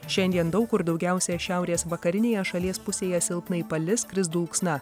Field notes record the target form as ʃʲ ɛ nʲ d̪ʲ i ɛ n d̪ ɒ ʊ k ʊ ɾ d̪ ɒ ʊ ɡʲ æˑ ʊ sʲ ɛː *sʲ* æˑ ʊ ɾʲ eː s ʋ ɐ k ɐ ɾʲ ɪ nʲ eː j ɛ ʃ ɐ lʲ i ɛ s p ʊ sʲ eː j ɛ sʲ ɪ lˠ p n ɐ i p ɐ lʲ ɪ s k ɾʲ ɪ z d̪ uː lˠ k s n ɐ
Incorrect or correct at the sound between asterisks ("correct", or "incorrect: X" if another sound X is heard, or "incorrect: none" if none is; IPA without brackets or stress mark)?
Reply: incorrect: ʃʲ